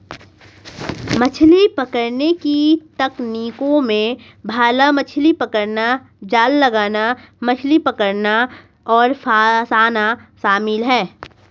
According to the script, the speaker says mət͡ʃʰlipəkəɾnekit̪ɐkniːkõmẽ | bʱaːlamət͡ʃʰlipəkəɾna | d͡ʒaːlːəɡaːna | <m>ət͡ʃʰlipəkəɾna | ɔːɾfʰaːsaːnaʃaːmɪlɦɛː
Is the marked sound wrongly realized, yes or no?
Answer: no